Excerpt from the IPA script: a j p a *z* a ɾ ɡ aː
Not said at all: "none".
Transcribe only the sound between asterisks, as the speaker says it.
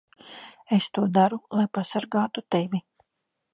s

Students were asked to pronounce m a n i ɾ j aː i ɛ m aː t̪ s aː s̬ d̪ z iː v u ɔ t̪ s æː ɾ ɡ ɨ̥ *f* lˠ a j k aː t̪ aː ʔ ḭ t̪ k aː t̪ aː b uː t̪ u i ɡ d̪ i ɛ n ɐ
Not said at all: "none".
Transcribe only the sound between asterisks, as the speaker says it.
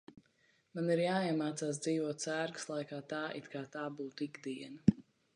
s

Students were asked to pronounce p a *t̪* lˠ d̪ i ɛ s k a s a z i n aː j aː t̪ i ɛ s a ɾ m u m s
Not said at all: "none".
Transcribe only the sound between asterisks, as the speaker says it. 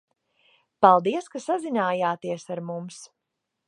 none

